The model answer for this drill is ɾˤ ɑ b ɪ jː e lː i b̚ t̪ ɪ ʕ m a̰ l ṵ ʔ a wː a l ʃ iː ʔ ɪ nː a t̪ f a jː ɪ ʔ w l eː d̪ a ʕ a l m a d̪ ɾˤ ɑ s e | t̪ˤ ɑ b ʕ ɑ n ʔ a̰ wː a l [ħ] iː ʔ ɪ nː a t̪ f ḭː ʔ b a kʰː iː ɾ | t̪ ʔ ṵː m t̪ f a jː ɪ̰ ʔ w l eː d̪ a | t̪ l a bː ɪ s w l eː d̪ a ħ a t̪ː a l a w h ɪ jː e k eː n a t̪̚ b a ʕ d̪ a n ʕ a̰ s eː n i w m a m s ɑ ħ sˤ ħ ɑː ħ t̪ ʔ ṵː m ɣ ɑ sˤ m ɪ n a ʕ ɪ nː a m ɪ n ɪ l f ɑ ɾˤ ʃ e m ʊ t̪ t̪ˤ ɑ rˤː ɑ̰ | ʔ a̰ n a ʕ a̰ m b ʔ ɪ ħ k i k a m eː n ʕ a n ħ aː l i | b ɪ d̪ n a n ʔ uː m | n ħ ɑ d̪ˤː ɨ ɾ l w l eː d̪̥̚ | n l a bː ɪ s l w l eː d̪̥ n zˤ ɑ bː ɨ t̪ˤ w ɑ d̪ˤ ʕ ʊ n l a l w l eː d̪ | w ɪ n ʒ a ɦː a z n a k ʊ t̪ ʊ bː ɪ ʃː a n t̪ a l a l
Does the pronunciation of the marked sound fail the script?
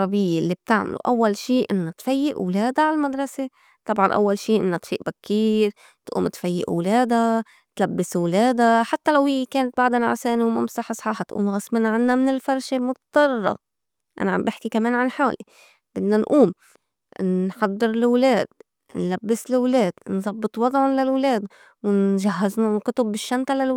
yes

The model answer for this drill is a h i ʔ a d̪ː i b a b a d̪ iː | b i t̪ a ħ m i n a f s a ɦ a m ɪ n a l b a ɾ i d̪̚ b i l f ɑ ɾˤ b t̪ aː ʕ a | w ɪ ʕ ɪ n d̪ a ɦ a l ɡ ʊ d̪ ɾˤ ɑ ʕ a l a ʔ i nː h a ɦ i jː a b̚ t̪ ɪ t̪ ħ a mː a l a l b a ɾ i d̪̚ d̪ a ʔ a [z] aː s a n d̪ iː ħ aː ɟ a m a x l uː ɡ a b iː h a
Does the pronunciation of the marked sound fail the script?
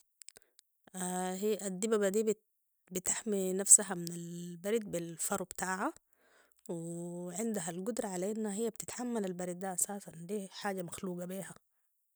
yes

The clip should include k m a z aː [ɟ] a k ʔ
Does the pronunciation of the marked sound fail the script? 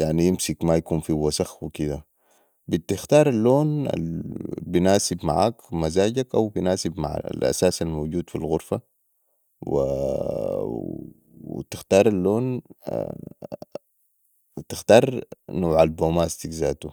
no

